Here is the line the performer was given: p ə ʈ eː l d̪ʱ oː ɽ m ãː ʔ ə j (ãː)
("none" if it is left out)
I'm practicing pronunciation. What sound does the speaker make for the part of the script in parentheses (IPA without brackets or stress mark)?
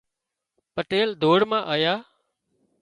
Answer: aː